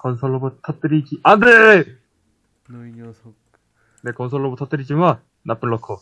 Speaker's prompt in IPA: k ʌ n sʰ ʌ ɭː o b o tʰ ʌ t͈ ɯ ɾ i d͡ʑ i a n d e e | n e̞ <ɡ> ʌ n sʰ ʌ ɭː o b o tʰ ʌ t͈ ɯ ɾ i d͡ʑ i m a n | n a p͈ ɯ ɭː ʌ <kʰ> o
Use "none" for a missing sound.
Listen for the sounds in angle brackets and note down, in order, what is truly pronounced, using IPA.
k, kʰ

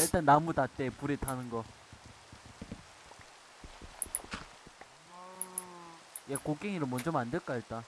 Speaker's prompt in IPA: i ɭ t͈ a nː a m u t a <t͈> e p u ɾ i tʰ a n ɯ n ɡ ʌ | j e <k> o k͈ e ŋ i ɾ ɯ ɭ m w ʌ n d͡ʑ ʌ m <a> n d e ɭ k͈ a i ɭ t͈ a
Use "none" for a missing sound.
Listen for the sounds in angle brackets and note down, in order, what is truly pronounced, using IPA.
t͈, k, a

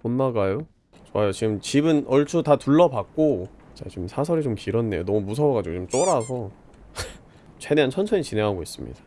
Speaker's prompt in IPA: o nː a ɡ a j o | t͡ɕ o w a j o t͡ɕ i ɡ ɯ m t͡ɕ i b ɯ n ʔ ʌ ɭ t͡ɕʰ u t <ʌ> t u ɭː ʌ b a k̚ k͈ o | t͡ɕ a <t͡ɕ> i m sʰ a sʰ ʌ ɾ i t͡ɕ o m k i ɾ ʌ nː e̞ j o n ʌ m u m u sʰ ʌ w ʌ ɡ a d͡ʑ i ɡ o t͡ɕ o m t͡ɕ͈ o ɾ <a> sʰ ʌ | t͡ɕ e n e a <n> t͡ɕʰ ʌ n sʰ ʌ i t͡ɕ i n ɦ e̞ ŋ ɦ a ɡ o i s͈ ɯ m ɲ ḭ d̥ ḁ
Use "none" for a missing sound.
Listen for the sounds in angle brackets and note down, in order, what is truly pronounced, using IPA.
a, t͡ɕ, a, n

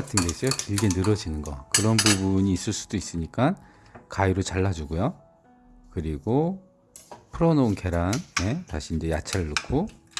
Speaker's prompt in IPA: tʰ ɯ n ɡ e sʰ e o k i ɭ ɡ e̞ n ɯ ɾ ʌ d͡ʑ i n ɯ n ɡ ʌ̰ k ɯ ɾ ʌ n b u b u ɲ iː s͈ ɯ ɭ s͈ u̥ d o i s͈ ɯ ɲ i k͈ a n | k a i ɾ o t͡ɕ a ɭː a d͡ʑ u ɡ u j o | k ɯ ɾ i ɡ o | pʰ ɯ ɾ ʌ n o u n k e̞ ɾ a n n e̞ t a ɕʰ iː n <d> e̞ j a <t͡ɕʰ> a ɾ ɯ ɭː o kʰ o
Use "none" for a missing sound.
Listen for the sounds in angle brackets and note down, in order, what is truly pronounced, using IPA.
d͡ʑ, t͡ɕʰ

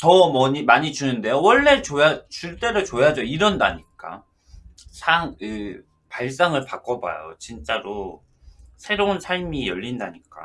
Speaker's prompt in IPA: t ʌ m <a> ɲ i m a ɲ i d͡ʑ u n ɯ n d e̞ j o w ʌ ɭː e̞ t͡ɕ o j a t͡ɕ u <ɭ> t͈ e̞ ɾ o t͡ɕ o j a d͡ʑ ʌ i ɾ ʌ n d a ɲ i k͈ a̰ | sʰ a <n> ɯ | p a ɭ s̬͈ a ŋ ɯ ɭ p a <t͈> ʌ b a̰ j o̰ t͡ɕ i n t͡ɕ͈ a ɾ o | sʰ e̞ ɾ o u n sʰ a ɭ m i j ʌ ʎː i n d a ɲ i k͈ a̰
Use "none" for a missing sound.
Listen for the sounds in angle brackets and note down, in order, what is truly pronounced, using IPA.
ʌ, ɭ, ŋ, k͈

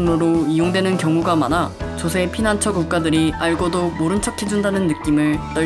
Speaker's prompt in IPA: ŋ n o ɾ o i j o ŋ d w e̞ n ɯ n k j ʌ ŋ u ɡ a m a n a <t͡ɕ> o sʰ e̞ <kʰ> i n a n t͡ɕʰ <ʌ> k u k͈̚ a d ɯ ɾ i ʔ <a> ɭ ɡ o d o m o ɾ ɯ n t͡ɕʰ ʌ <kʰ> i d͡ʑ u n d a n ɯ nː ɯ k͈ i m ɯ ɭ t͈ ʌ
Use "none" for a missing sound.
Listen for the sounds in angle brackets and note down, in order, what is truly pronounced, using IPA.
t͡ɕ, pʰ, ʌ, a, kʰ

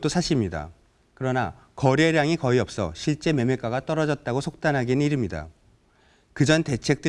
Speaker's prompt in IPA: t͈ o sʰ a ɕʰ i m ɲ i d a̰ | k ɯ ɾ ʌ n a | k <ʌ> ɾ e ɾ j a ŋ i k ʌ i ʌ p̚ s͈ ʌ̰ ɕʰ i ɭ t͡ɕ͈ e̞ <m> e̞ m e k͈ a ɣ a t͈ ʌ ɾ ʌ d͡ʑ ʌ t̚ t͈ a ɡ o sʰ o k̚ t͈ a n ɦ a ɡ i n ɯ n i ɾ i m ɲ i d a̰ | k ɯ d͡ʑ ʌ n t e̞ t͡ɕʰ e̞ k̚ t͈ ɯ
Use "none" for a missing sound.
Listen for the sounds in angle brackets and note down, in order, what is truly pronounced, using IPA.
ʌ, m

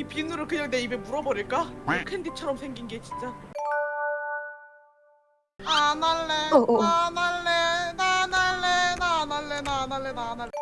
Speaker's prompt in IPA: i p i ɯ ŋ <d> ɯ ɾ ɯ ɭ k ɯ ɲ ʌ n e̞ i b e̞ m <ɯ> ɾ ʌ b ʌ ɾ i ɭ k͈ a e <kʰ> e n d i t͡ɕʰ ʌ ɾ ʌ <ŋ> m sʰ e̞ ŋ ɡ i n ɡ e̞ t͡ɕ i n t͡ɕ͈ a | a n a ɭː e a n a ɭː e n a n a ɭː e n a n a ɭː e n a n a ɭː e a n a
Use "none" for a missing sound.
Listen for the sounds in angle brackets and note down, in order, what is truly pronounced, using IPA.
n, u, kʰ, none

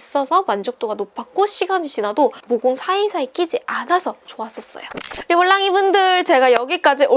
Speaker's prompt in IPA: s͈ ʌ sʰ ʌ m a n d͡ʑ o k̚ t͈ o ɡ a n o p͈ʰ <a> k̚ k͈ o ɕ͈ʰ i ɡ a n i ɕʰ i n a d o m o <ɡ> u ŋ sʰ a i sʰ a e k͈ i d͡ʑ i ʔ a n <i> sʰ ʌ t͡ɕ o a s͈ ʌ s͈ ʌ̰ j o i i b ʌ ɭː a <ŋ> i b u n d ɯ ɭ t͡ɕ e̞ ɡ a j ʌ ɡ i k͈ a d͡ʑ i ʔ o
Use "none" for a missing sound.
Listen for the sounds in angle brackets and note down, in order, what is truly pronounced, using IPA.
a, ɡ, a, ŋ

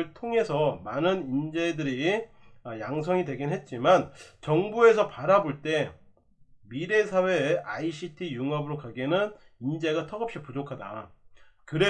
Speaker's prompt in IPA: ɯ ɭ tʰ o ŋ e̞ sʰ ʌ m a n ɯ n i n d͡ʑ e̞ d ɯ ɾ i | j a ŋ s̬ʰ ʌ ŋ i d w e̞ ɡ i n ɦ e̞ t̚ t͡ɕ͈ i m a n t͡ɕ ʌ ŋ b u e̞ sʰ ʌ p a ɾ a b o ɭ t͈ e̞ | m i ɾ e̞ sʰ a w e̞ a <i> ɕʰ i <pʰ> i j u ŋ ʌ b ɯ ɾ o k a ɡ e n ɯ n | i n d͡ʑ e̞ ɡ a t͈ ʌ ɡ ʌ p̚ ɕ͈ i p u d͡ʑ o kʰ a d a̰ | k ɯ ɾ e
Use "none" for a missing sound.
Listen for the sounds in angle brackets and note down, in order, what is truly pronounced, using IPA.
i, tʰ

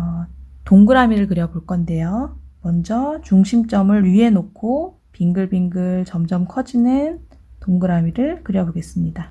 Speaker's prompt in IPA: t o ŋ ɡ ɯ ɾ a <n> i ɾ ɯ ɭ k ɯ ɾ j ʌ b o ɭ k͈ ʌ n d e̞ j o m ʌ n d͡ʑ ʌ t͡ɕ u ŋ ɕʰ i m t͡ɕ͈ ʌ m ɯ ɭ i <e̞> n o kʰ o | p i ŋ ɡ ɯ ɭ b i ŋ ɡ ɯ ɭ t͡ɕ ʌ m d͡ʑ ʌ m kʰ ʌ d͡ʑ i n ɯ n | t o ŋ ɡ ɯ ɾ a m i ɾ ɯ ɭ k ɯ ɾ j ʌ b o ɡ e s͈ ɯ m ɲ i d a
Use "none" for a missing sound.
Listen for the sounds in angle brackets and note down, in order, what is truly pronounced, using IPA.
m, e̞

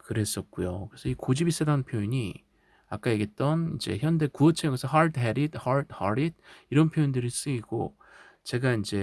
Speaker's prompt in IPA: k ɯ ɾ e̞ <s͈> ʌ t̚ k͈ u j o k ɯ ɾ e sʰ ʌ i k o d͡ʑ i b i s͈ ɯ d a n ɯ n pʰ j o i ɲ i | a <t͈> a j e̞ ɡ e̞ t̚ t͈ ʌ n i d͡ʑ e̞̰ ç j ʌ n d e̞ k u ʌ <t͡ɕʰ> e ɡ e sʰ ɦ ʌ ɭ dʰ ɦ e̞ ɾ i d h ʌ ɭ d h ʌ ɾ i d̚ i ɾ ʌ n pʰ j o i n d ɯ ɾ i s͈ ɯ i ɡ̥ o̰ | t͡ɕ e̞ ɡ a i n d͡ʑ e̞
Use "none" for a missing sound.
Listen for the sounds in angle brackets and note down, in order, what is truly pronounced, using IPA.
s͈, k͈, t͡ɕʰ

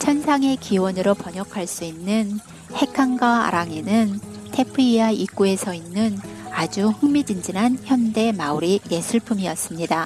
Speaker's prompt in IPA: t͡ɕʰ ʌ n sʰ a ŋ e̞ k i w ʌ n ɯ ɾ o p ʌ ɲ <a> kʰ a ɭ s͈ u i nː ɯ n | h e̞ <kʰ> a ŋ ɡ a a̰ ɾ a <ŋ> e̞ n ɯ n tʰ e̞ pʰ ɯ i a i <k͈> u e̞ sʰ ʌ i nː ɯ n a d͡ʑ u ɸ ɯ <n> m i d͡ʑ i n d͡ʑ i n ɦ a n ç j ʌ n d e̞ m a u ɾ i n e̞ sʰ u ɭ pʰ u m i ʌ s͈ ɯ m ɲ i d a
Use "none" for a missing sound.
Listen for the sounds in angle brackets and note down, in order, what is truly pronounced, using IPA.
ʌ, kʰ, ŋ, k͈, ŋ

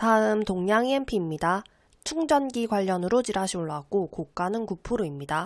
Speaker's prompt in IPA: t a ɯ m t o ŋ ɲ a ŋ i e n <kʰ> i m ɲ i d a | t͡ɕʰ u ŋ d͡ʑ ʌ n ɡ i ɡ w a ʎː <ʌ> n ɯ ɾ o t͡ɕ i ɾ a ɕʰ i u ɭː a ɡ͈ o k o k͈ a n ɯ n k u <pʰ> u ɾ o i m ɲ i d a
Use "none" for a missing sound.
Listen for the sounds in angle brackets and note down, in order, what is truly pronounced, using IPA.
pʰ, ʌ, pʰ

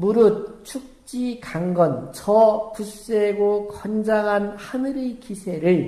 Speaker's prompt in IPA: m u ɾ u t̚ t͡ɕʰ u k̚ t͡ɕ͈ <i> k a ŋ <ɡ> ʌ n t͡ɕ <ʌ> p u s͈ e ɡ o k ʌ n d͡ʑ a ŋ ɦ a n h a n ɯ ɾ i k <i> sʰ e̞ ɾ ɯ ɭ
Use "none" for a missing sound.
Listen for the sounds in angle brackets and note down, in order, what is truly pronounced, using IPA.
i, ɡ, ʌ, i

